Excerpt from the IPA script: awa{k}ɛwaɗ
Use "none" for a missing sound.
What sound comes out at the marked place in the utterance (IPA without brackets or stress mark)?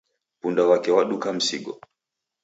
k